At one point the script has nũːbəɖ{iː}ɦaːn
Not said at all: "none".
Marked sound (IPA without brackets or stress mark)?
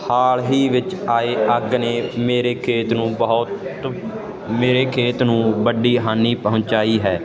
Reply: iː